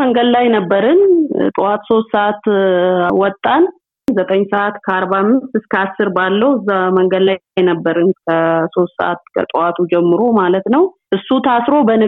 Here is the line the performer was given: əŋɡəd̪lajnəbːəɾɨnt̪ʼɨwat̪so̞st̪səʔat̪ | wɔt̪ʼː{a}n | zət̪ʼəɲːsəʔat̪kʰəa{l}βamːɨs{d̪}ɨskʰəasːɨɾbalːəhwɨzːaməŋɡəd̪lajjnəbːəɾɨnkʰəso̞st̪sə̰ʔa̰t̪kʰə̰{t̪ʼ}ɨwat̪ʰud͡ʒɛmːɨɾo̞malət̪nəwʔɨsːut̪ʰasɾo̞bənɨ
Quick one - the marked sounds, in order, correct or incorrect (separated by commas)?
correct, incorrect, incorrect, correct